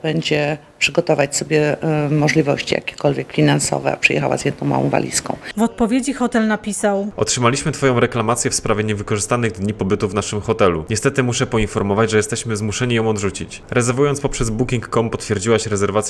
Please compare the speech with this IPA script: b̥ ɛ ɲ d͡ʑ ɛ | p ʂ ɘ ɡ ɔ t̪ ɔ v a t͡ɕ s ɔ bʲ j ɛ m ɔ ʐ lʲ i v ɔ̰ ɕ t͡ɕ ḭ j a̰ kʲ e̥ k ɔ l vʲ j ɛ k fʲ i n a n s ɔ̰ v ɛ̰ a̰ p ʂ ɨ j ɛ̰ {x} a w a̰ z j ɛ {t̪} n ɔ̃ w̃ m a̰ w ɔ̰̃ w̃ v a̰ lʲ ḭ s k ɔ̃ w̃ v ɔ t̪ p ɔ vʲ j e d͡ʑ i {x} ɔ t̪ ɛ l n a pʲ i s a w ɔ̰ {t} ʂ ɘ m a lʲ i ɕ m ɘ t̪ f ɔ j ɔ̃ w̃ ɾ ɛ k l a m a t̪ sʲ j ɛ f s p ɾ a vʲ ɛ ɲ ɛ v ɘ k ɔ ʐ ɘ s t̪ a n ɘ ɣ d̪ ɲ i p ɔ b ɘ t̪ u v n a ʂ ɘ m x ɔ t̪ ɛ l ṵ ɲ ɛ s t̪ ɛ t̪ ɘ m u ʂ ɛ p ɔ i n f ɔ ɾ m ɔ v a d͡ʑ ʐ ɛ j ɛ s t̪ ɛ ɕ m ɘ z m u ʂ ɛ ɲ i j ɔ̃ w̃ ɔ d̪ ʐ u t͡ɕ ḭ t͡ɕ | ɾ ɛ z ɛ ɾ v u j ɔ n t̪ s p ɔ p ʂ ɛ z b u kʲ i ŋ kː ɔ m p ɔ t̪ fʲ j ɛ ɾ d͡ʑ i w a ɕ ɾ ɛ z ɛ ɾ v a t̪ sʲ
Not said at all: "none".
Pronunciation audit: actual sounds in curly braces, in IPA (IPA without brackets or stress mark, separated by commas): x, d̪, x, t